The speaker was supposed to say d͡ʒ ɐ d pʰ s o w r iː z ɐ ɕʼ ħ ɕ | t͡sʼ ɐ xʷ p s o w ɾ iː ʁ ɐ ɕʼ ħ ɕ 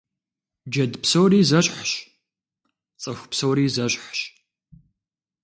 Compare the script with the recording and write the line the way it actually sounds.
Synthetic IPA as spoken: d͡ʒ ɐ d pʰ s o w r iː z ɐ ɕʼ ħ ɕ | t͡sʼ ɐ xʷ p s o w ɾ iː z ɐ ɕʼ ħ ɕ

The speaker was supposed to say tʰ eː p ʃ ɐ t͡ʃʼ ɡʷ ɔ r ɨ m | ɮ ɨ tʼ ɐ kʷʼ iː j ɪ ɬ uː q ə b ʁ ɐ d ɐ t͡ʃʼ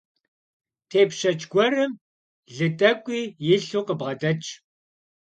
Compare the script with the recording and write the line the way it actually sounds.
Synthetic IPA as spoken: tʰ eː p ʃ ɐ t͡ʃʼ ɡʷ ɔ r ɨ m | ɮ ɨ tʼ ɐ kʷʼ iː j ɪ ɬ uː q ə b ʁ ɐ d ɐ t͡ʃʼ

